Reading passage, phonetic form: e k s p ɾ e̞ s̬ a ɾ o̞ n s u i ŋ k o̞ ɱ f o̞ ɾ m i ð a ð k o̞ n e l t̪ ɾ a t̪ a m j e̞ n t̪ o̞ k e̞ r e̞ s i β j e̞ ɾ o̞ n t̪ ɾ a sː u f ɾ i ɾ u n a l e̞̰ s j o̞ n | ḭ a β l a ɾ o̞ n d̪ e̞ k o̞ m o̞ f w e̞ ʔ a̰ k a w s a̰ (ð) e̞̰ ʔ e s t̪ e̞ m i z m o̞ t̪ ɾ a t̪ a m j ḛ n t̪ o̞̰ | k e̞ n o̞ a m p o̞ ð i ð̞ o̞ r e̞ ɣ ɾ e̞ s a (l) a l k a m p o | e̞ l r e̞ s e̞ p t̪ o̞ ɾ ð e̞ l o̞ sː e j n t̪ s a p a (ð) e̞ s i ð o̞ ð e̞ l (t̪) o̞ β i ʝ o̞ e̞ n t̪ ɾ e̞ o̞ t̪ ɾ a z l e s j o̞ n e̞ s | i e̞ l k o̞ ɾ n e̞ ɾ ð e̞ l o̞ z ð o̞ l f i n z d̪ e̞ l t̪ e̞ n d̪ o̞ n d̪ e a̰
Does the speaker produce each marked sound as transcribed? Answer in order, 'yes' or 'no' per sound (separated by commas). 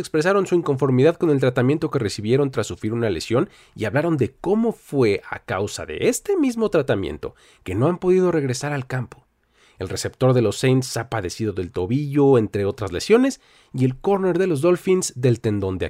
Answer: yes, no, yes, yes